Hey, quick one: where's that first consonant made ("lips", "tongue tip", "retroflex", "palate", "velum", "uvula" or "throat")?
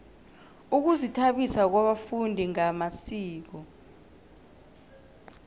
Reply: velum